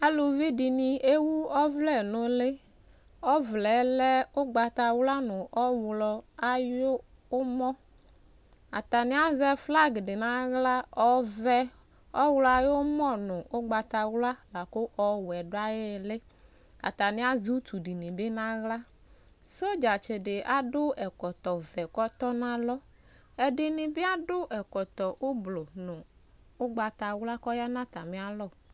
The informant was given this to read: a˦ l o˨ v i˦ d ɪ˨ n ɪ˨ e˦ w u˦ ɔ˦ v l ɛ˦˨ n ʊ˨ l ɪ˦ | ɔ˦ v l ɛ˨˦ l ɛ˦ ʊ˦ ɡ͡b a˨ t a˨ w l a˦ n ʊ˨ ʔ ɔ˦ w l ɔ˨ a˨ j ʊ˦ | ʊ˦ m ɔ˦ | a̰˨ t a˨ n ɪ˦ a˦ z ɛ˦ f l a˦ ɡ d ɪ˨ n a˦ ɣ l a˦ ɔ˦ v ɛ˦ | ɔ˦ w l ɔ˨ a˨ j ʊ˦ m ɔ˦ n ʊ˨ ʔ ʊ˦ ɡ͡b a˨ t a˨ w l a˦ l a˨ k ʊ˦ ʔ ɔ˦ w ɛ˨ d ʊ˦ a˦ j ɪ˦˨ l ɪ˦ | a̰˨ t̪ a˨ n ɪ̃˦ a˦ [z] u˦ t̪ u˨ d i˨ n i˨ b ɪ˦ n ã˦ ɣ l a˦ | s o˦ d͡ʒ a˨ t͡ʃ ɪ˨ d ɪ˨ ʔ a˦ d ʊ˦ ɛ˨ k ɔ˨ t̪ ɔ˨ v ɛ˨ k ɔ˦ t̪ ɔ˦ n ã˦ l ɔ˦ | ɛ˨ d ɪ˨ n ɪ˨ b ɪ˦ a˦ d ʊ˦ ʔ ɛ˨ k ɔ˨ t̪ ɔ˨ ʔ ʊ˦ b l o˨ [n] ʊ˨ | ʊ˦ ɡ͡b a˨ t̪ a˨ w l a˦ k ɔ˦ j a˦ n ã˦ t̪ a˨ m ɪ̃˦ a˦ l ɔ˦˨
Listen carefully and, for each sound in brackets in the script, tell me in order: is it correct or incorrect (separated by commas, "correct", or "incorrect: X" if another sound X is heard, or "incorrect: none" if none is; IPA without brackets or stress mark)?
correct, correct